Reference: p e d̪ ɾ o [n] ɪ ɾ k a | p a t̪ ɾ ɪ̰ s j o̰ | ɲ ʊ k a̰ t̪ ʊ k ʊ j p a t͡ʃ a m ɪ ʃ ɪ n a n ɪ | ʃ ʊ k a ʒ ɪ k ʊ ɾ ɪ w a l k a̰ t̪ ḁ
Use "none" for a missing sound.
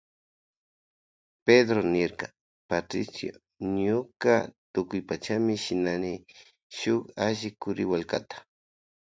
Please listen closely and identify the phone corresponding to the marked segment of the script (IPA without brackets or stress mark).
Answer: n